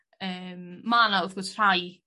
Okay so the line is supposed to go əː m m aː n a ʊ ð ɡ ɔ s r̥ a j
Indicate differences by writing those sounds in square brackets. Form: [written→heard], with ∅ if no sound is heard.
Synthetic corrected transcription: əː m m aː n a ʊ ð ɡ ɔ s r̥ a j